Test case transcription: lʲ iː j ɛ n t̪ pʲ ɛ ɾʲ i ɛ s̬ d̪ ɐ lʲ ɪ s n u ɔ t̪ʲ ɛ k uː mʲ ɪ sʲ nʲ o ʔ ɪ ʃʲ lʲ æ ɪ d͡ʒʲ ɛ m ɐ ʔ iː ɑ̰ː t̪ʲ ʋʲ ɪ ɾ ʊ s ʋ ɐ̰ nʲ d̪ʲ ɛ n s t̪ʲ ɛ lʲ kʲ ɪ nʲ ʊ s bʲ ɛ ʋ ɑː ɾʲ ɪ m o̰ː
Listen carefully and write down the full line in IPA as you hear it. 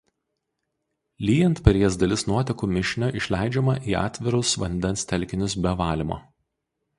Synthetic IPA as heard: lʲ iː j ɛ n t̪ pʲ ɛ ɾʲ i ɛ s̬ d̪ ɐ lʲ ɪ s n u ɔ t̪ʲ ɛ k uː mʲ ɪ ʃʲ nʲ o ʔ ɪ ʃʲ lʲ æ ɪ d͡ʒʲ ɛ m ɐ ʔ iː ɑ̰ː t̪ʲ ʋʲ ɪ ɾ ʊ s ʋ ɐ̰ nʲ d̪ʲ ɛ n s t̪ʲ ɛ lʲ kʲ ɪ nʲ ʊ s bʲ ɛ ʋ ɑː lʲ ɪ m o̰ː